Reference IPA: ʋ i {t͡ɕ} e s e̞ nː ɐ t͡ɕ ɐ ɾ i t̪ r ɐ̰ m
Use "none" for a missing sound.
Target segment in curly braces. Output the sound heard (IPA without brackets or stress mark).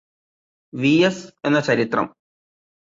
none